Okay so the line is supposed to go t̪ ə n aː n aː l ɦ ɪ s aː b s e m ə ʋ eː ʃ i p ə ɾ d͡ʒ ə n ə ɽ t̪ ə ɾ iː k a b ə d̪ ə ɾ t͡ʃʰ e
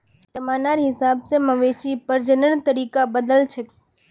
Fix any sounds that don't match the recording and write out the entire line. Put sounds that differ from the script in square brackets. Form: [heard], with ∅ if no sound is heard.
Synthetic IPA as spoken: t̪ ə [m] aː n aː [ɾ] ɦ ɪ s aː b s e m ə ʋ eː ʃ i p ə ɾ d͡ʒ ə n ə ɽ t̪ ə ɾ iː k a b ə d̪ ə [l] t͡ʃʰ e